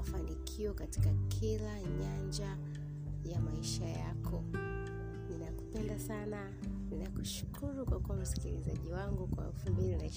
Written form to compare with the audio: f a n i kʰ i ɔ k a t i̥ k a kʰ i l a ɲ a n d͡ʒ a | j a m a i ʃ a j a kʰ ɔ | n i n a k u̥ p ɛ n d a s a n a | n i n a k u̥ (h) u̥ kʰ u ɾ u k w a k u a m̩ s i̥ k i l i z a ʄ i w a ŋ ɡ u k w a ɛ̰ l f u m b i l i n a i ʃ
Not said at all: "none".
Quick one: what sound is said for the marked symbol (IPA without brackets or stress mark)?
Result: ʃ